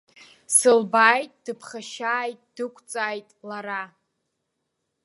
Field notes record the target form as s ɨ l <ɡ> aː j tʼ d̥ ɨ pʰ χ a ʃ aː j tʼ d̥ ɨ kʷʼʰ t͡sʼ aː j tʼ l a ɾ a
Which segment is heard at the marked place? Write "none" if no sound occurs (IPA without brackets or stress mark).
b